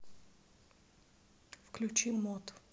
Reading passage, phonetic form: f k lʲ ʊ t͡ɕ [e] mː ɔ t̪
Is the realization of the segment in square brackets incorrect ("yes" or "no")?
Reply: yes